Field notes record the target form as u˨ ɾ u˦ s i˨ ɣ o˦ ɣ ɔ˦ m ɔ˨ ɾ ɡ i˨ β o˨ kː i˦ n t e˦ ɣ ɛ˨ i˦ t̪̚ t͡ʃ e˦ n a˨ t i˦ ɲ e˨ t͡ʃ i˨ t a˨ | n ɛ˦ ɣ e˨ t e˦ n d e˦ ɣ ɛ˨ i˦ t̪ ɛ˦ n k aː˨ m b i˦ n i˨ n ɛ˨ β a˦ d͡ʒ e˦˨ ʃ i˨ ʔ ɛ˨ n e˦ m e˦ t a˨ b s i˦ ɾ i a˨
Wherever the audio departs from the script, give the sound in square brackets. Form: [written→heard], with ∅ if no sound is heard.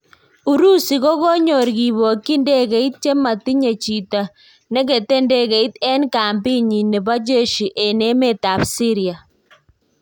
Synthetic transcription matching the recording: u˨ ɾ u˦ s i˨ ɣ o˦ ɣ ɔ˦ [m→ɲ] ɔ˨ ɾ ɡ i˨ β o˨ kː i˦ n [t→d] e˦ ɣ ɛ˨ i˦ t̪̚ t͡ʃ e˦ [n→m] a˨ t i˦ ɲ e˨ t͡ʃ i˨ t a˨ | n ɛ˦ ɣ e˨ t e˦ n d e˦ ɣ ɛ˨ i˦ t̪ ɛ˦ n k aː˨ m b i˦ [n→ɲ] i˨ n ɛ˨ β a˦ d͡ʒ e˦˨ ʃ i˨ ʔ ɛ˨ n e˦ m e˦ t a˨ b s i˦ ɾ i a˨